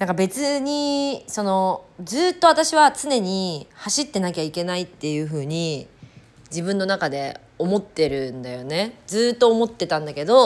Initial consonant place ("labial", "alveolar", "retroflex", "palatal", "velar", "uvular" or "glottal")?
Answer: alveolar